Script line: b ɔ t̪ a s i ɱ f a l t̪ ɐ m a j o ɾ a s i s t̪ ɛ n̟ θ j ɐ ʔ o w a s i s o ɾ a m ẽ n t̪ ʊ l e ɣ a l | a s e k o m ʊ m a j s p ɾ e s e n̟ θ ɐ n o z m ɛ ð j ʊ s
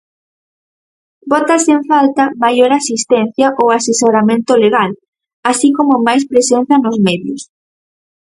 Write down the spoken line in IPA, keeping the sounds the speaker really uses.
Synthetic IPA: b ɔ t̪ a s e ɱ f a l t̪ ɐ m a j o ɾ a s i s t̪ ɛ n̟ θ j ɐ ʔ o w a s e s o ɾ a m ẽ n t̪ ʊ l e ɣ a l | a s i k o m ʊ m a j s p ɾ e s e n̟ θ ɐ n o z m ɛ ð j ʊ s